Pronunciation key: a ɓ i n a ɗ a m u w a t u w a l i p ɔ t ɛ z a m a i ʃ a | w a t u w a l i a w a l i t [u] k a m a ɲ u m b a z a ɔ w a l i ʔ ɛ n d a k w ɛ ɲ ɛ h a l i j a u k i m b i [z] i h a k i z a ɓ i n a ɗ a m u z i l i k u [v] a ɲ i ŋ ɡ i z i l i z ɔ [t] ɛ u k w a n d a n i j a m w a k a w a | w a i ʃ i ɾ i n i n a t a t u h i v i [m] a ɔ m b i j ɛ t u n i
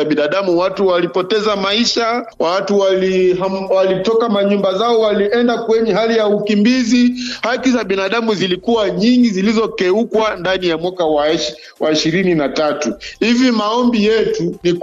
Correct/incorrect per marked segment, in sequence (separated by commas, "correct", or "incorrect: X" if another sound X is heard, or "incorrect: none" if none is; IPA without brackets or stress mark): incorrect: ɔ, correct, incorrect: w, incorrect: k, correct